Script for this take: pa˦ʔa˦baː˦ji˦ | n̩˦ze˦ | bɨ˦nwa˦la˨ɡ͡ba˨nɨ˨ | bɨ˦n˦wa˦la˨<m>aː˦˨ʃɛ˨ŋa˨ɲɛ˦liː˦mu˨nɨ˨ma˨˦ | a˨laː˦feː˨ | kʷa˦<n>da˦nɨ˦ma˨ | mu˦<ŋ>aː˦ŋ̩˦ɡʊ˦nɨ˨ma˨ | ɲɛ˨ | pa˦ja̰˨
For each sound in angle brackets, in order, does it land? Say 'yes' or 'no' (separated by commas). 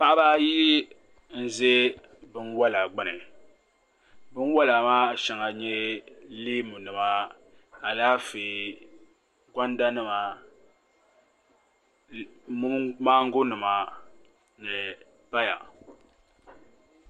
yes, yes, no